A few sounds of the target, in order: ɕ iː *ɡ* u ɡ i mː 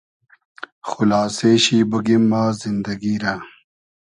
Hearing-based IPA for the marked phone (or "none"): b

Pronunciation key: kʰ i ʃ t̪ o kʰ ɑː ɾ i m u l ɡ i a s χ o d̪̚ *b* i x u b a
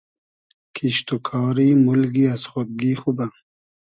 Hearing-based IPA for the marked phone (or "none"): ɡ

